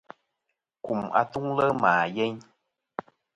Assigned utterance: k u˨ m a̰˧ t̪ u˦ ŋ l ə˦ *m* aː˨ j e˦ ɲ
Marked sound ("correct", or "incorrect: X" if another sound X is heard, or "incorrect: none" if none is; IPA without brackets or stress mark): correct